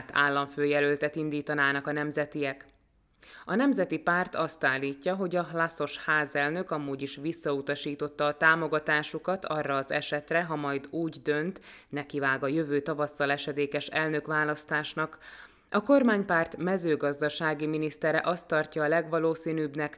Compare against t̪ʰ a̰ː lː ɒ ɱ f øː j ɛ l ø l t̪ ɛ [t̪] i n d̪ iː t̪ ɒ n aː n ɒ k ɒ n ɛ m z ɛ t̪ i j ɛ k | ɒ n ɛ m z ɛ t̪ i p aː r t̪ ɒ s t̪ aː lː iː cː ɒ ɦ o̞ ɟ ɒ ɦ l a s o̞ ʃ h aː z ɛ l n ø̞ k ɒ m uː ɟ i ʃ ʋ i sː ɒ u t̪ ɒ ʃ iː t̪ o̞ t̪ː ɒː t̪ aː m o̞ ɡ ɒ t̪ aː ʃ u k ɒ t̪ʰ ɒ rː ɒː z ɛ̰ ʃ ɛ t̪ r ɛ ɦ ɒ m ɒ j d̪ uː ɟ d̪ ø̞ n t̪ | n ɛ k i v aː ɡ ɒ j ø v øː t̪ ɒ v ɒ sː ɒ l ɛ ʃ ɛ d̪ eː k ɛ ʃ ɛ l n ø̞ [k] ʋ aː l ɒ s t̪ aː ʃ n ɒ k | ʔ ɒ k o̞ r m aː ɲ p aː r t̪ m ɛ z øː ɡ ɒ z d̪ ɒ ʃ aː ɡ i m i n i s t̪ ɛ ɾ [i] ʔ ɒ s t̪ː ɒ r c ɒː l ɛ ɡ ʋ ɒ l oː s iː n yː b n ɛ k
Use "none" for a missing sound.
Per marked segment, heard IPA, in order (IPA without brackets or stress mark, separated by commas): t̪, k, ɛ